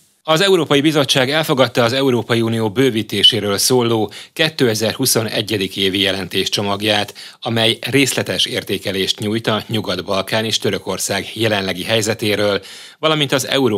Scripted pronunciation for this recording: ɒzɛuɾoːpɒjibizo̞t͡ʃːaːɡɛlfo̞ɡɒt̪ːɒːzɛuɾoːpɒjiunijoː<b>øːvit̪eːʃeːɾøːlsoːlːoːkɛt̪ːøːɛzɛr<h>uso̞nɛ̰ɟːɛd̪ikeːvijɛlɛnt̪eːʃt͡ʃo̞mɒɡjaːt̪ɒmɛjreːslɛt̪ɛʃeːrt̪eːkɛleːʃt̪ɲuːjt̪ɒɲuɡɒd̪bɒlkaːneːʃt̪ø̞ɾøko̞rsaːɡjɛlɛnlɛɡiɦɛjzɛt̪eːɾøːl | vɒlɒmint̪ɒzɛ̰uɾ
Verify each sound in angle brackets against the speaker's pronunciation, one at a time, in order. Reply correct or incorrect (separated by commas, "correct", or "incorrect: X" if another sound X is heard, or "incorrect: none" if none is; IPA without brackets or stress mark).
correct, correct